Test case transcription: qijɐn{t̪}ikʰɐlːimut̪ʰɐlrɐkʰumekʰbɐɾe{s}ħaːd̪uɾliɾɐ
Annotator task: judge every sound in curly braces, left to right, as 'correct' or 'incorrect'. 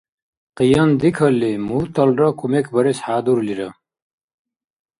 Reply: incorrect: d̪, correct

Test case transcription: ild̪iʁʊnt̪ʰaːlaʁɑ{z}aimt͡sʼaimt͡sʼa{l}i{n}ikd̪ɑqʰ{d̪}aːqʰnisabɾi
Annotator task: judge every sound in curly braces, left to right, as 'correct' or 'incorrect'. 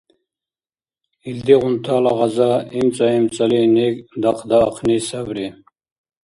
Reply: correct, correct, correct, correct

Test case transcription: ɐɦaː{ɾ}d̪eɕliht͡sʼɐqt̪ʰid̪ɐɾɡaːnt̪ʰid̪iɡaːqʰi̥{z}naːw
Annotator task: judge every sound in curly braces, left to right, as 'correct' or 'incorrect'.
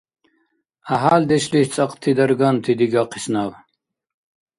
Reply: incorrect: l, incorrect: s

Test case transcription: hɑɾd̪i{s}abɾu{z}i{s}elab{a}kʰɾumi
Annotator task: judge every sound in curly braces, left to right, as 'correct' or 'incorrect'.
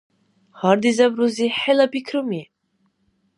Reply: incorrect: z, correct, incorrect: ħ, incorrect: i

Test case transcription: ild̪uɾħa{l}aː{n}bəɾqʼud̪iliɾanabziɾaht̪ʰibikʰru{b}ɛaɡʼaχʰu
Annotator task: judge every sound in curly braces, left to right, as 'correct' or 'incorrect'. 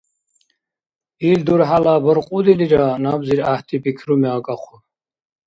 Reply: correct, incorrect: none, incorrect: m

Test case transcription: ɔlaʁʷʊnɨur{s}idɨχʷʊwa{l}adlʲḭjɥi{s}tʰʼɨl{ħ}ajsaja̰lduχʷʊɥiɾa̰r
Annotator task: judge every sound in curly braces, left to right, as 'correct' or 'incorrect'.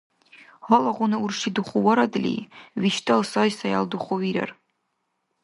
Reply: incorrect: ʂ, incorrect: ɾ, incorrect: ʃ, incorrect: s

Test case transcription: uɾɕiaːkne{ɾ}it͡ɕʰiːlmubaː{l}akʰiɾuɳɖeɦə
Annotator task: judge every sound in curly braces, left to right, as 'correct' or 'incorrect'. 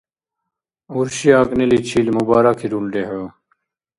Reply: incorrect: l, incorrect: ɾ

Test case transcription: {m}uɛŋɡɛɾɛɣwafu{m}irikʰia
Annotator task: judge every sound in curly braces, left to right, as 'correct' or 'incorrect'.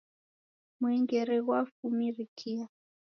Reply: correct, correct

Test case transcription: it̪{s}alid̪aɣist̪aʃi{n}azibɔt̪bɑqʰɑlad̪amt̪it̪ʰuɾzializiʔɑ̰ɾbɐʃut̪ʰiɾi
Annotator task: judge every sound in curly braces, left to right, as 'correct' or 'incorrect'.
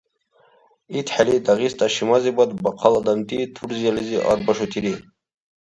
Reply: incorrect: ħ, incorrect: m

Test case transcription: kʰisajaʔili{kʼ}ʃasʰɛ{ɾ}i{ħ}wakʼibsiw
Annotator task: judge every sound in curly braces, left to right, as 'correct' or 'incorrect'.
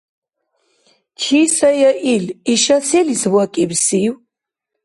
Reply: incorrect: none, incorrect: l, incorrect: s

